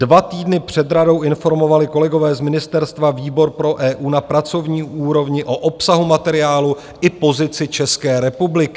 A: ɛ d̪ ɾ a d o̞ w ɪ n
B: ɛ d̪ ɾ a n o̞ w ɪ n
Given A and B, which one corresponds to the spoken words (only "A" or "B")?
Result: A